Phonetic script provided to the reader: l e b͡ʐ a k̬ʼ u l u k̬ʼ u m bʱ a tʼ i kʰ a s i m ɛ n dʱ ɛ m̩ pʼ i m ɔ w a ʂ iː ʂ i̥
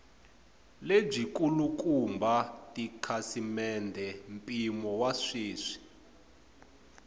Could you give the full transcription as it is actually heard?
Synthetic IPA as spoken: l e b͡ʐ i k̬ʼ u l u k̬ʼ u m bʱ a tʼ i kʰ a s i m ɛ n dʱ ɛ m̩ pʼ i m ɔ w a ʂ iː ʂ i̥